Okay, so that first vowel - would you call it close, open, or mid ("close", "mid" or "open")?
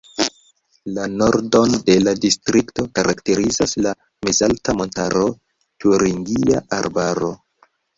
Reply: open